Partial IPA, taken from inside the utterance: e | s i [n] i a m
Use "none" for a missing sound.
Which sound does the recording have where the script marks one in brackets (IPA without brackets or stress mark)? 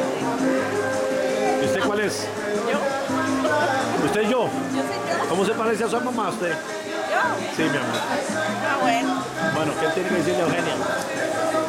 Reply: m